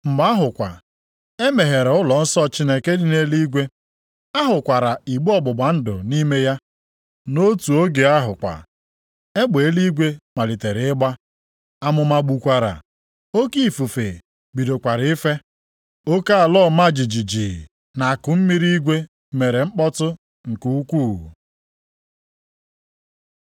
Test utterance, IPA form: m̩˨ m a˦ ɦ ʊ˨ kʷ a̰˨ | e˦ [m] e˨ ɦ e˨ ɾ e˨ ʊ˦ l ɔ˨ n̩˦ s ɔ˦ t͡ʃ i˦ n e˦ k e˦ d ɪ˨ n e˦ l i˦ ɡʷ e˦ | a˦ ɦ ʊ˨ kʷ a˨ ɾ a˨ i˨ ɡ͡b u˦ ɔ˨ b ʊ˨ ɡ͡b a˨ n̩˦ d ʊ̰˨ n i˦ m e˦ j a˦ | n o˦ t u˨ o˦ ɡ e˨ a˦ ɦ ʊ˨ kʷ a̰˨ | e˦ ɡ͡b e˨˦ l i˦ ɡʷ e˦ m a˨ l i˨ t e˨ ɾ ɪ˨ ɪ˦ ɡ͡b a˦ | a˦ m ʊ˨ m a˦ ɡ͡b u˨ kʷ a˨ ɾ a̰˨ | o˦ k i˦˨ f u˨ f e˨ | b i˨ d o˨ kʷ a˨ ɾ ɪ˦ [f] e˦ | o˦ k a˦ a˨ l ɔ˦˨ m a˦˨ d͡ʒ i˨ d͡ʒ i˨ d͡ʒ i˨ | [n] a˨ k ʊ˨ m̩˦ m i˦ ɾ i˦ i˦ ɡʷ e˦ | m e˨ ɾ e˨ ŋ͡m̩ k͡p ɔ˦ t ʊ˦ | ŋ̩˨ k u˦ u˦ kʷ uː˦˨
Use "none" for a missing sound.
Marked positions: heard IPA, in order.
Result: m, f, n

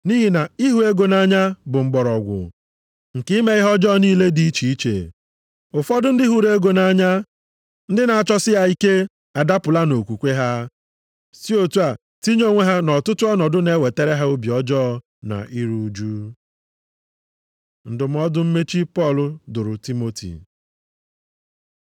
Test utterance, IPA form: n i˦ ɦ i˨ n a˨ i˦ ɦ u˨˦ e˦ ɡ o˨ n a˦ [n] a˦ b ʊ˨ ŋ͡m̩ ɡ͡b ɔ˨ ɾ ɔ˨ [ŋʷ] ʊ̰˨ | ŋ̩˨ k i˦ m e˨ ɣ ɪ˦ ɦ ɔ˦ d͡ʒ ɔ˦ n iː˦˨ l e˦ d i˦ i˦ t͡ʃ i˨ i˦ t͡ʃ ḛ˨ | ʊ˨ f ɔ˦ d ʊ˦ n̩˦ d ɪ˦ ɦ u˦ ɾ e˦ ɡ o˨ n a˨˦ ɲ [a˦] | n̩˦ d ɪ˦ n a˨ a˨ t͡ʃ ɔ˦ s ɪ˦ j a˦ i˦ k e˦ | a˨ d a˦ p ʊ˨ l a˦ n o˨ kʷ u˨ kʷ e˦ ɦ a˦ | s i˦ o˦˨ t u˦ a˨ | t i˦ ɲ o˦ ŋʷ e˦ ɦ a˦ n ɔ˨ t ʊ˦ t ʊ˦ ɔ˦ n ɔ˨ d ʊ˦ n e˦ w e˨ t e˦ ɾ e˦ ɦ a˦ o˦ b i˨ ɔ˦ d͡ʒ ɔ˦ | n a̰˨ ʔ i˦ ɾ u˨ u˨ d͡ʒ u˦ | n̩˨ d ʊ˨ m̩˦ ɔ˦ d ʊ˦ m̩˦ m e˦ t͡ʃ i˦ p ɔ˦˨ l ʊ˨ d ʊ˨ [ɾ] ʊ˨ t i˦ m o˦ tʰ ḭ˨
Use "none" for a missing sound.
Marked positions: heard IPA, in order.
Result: ɲ, ɡʷ, a˦, ɾ

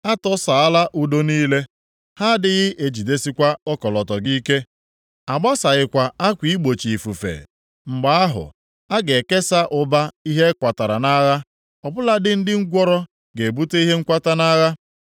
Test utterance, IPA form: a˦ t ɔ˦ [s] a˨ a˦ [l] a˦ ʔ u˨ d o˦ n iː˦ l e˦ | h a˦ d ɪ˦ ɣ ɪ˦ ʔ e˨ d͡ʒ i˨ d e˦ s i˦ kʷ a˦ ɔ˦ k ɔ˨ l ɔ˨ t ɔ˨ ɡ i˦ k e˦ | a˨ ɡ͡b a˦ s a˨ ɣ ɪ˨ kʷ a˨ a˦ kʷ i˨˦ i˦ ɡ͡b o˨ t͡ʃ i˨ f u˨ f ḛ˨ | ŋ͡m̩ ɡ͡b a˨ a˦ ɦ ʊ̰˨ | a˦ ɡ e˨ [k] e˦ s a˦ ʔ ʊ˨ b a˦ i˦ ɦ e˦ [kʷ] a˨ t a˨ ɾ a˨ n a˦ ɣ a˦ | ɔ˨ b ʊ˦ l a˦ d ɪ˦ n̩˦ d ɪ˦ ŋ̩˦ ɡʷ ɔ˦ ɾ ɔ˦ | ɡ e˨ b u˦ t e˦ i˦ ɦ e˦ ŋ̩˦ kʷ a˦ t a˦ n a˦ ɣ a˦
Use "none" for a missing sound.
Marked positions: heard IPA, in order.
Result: s, l, k, kʷ

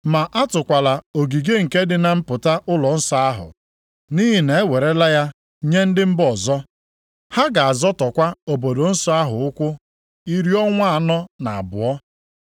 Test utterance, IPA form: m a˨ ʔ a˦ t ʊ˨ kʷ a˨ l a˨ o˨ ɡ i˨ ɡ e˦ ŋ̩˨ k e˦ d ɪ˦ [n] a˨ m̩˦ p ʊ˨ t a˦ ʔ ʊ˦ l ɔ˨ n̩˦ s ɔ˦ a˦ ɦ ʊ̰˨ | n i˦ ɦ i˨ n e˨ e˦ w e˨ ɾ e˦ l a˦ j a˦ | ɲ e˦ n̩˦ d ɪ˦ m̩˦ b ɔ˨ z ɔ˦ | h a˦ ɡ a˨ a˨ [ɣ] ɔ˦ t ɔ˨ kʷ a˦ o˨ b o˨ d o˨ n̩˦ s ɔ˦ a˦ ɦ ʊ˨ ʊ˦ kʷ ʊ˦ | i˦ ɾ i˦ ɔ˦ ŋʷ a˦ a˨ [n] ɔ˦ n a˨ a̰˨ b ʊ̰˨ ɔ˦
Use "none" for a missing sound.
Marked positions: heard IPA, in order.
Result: n, z, n

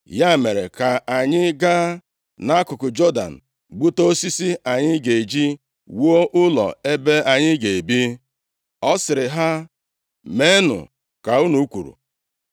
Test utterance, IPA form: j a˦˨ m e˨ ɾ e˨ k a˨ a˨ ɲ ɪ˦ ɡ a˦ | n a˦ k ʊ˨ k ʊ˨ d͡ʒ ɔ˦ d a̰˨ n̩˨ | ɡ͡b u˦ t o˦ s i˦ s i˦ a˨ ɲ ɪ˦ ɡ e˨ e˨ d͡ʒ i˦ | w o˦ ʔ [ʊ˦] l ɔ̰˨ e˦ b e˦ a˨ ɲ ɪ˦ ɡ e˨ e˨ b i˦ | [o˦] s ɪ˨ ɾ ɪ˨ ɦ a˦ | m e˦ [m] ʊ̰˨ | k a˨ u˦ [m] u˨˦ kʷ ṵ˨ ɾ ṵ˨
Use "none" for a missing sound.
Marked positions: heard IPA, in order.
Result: ʊ˦, ɔ˦, n, n

